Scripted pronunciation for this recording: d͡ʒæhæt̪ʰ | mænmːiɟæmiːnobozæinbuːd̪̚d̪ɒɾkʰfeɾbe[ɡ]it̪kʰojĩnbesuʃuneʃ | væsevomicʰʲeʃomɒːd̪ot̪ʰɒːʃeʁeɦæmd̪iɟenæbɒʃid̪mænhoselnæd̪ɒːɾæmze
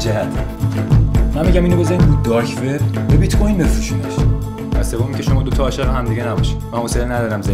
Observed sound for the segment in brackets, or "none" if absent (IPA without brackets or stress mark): b